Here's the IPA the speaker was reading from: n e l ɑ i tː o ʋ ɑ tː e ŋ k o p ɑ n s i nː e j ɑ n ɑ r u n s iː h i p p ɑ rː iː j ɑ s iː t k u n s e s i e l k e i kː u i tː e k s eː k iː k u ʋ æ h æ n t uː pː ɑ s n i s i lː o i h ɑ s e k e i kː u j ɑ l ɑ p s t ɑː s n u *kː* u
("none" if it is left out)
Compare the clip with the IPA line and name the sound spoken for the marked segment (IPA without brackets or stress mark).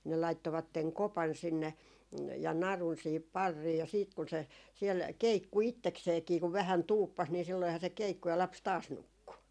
kː